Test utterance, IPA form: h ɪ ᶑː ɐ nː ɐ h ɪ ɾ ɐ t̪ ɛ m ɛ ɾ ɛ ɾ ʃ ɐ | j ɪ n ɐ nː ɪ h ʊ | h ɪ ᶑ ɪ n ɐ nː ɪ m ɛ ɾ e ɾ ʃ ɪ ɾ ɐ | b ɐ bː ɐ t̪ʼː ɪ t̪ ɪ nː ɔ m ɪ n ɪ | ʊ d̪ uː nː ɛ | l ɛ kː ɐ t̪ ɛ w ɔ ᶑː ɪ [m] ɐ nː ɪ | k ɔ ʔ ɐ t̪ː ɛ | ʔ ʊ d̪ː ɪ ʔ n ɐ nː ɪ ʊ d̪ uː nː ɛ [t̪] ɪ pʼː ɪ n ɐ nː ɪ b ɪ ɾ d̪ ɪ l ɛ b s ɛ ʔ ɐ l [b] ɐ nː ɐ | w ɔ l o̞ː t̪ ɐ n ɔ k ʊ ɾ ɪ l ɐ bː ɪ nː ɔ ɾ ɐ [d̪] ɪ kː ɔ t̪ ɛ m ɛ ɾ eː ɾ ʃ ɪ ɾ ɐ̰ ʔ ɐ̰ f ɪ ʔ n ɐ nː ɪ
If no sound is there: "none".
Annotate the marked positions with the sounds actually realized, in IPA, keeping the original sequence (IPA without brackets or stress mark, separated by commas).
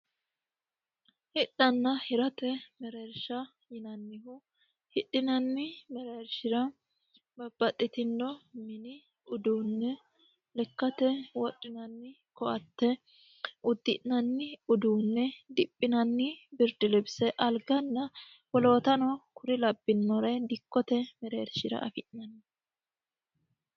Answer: n, d̪, ɡ, d̪